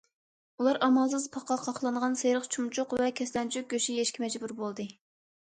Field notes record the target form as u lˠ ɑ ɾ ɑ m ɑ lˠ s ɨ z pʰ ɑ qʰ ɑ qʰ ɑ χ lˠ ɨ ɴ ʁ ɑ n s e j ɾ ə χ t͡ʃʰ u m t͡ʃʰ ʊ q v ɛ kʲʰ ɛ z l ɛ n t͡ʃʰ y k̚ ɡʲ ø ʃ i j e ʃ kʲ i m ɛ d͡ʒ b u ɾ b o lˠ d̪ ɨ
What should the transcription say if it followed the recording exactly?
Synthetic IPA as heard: u lˠ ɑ ɾ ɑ m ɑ lˠ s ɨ z pʰ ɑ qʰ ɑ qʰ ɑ χ lˠ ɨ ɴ ʁ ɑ n s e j ɾ ə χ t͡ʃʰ u m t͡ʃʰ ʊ q v ɛ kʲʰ ɛ s l ɛ n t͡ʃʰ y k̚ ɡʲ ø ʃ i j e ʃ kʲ i m ɛ d͡ʒ b u ɾ b o lˠ d̪ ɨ